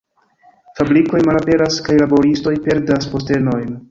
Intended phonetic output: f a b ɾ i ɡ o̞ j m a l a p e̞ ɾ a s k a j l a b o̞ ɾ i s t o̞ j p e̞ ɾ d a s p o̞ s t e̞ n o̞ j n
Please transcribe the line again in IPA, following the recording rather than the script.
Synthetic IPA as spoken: f a b ɾ i k o̞ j m a l a p e̞ ɾ a s k a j l a b o̞ ɾ i s t o̞ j p e̞ ɾ d a s p o̞ s t e̞ n o̞ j n